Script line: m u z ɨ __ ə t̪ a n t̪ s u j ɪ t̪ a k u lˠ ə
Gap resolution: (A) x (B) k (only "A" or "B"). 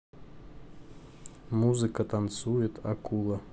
B